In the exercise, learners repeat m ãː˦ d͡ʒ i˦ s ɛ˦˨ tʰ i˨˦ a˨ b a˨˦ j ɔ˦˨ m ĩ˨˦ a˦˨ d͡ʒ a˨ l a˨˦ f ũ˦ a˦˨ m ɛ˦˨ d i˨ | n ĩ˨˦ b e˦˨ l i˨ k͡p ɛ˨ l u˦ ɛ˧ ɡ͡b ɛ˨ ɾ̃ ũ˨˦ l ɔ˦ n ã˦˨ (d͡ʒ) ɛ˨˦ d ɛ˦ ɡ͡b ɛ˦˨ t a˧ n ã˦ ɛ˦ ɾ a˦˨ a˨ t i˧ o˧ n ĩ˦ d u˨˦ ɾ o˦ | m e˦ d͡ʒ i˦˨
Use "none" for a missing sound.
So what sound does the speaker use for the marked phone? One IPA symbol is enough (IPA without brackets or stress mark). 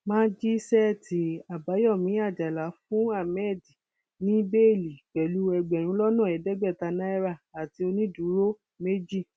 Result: none